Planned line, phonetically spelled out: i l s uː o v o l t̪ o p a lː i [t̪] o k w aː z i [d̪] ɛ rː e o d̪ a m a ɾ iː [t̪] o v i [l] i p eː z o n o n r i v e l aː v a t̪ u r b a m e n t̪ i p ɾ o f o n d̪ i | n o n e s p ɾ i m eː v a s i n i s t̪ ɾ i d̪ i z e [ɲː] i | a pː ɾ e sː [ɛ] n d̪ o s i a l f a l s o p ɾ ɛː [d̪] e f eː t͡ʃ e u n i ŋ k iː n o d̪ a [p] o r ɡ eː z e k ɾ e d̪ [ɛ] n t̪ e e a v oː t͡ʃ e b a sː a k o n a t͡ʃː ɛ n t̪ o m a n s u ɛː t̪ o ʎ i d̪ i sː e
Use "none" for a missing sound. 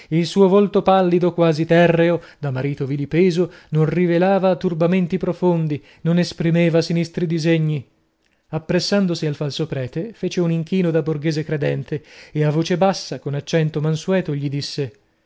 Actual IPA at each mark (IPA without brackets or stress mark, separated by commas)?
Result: d̪, t̪, t̪, l, ɲː, a, t̪, b, ɛ